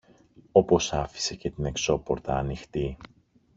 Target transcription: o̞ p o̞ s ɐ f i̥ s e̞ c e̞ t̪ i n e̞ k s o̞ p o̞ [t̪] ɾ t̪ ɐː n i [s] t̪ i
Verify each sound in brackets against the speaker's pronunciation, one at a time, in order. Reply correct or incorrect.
incorrect: none, incorrect: x

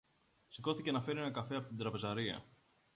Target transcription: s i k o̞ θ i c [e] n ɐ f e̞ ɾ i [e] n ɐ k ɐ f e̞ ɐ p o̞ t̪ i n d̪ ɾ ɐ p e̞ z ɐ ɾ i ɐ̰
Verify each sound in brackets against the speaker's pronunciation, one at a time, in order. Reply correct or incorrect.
correct, correct

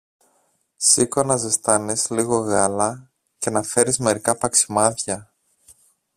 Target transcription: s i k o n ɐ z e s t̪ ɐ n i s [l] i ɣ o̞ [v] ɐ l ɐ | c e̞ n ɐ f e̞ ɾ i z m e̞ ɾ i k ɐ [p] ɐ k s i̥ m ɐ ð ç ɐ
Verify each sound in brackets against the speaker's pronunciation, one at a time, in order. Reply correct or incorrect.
correct, incorrect: ɣ, correct

